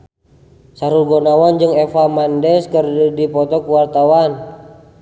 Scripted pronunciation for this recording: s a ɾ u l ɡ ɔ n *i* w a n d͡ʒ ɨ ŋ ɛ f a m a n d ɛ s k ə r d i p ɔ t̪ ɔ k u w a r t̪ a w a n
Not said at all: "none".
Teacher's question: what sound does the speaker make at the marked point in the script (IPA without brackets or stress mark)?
a